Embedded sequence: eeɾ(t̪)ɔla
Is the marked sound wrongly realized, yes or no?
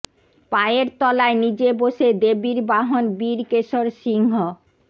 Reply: no